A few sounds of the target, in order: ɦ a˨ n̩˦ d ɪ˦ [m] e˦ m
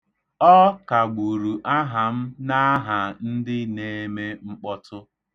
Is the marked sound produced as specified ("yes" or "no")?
no